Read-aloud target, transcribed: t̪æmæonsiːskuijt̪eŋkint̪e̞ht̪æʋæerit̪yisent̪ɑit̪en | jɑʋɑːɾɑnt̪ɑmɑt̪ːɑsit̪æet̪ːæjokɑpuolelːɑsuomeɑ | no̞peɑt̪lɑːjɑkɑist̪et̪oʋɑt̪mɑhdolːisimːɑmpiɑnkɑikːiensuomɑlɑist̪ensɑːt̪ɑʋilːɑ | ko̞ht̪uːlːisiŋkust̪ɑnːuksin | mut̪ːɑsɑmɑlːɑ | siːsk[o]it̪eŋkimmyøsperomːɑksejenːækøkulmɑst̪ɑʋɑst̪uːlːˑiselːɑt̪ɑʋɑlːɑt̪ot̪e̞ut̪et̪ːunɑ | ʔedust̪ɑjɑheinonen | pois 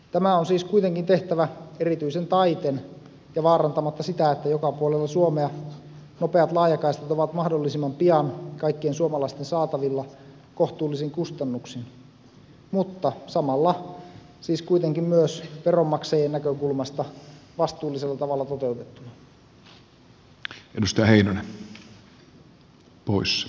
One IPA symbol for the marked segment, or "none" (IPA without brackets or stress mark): u